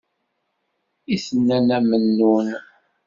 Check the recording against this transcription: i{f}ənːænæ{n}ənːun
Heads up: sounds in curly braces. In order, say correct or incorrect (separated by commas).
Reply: incorrect, incorrect